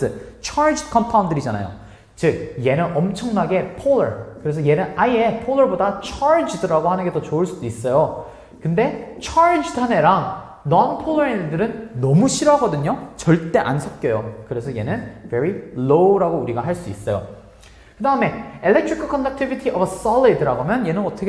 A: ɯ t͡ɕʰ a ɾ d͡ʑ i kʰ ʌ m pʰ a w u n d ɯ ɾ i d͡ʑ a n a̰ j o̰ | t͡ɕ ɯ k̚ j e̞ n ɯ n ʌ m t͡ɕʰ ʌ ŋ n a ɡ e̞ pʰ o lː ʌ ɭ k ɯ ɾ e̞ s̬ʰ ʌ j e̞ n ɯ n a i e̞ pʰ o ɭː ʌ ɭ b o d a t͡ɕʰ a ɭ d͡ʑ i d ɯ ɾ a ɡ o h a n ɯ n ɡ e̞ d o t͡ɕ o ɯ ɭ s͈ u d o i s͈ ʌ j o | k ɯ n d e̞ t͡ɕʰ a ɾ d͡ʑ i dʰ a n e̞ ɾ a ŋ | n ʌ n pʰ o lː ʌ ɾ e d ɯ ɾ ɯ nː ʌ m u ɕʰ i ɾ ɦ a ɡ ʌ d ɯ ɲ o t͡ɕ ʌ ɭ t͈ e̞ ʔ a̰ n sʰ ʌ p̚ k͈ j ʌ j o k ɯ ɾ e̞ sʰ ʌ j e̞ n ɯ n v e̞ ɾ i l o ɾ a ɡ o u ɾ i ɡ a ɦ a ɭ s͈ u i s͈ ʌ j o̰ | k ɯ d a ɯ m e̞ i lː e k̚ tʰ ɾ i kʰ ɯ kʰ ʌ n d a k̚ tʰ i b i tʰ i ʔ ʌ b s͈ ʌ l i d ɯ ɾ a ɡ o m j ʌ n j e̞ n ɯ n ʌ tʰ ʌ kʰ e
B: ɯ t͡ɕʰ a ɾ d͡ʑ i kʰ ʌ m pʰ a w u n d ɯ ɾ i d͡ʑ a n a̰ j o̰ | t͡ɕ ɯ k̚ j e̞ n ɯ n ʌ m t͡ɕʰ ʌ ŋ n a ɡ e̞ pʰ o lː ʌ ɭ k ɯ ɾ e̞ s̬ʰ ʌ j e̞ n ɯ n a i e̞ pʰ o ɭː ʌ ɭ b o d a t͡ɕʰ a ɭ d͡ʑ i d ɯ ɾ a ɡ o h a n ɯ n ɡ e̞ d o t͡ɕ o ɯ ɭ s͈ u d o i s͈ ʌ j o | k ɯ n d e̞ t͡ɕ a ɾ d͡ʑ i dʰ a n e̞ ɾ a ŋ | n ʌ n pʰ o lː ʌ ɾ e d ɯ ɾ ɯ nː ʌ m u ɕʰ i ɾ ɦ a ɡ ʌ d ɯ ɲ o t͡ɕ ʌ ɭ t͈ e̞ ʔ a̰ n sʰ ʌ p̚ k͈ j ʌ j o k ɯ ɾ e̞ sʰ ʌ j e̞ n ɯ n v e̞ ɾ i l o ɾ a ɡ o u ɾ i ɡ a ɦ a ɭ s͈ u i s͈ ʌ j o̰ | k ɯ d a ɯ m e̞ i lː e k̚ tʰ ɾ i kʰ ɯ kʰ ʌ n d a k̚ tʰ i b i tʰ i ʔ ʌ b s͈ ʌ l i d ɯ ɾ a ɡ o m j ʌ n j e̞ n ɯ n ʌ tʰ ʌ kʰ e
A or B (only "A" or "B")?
A